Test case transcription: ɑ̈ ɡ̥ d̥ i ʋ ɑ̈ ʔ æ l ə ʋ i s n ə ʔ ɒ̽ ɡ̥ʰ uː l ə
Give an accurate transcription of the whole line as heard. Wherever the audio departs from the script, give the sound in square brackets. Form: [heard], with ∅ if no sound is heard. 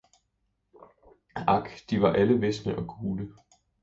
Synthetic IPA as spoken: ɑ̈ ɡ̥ d̥ i ʋ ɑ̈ ʔ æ l ə ʋ [e] s n ə ʔ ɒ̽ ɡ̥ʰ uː l ə